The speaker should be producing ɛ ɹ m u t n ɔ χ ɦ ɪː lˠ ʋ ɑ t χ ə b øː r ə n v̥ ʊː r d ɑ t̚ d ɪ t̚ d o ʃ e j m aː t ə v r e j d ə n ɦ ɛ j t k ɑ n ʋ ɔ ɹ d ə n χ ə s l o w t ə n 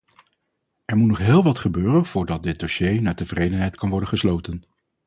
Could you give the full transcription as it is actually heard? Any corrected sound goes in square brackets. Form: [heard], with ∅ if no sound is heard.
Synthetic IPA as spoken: ɛ ɹ m u t n ɔ χ ɦ ɪː lˠ ʋ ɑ t χ ə b øː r ə n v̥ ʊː [ɹ] d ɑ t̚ d ɪ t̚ d o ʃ e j [n] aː t ə v r e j d ə n ɦ ɛ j t k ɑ n ʋ ɔ ɹ d ə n χ ə s l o w t ə n